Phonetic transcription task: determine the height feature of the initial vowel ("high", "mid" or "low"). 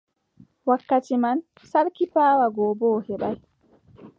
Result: low